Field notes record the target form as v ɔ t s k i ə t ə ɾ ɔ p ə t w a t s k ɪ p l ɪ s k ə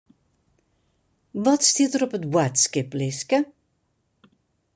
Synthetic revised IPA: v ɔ t s t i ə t ə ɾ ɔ p ə t w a t s k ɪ p l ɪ s k ə